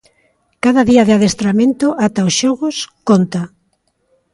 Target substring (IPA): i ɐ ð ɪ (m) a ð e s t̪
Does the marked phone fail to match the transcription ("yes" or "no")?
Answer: yes